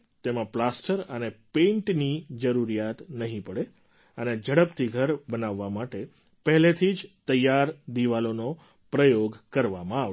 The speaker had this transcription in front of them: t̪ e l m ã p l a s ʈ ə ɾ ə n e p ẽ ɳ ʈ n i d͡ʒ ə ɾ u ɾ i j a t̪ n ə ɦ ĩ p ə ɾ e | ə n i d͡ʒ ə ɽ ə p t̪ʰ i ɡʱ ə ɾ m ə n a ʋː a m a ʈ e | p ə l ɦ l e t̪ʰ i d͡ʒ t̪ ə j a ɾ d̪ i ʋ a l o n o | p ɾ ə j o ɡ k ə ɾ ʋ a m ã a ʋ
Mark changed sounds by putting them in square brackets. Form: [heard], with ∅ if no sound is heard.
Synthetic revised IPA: t̪ e [∅] m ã p l a s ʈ ə ɾ ə n e p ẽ ɳ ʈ n i d͡ʒ ə ɾ u ɾ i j a t̪ n ə ɦ ĩ p ə [ɽ] e | ə n [e] d͡ʒ ə ɽ ə p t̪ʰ i ɡʱ ə ɾ [b] ə n a ʋː a m a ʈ e | p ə [∅] ɦ l e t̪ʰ i d͡ʒ t̪ ə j a ɾ d̪ i ʋ a l o n o | p ɾ ə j o ɡ k ə ɾ ʋ a m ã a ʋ

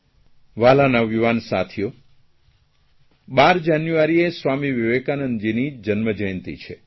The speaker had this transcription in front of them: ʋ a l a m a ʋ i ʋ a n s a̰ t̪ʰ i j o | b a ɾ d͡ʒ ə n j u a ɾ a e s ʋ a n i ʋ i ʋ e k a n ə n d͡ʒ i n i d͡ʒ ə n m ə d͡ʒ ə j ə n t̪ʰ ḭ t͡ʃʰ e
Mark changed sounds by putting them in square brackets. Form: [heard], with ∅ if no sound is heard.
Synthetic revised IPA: ʋ a l a [n] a ʋ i ʋ a n s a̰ t̪ʰ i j o | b a ɾ d͡ʒ [a] n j u a ɾ [i] e s ʋ a [m] i ʋ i ʋ e k a n ə n d͡ʒ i n i d͡ʒ ə n m ə d͡ʒ ə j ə n [t̪] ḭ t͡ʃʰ e

